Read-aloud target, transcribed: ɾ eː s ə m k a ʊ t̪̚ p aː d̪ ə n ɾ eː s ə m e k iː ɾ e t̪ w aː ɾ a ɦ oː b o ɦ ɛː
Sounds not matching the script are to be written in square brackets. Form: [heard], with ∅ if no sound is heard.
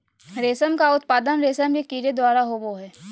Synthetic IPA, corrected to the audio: ɾ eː s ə m k a ʊ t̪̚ p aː d̪ ə n ɾ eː s ə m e k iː ɾ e [d̪] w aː ɾ a ɦ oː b o ɦ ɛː